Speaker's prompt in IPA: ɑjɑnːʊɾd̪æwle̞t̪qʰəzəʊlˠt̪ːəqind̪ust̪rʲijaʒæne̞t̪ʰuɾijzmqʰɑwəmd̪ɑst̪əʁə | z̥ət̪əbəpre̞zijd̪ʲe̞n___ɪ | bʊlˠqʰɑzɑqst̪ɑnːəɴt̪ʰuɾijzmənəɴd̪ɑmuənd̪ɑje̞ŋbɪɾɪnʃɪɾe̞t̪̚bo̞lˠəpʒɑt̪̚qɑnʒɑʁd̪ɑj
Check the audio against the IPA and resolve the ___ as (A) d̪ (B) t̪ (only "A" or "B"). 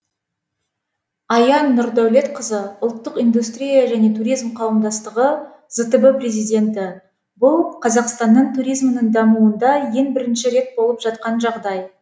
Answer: B